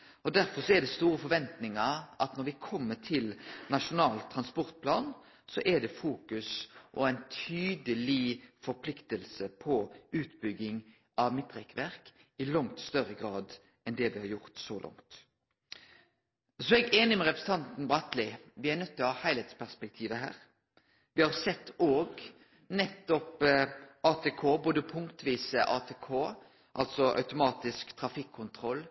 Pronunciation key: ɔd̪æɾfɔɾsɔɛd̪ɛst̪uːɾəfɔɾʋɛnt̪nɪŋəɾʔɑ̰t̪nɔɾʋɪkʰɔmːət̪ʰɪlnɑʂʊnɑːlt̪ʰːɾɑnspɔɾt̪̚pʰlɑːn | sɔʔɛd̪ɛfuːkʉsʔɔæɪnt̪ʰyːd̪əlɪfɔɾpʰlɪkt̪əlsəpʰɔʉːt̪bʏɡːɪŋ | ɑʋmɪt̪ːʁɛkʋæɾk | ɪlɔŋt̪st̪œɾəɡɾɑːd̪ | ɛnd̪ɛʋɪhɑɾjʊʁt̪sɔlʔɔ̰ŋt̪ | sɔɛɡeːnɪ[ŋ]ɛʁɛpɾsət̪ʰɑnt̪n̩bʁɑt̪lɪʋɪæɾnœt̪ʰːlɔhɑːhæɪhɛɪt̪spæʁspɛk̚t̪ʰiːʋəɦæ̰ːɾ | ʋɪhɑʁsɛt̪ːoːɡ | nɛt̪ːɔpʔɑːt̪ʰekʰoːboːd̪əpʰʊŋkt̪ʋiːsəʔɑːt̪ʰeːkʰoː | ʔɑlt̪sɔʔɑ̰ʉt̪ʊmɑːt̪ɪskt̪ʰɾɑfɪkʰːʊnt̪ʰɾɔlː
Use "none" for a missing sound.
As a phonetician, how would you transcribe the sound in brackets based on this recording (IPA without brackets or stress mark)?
m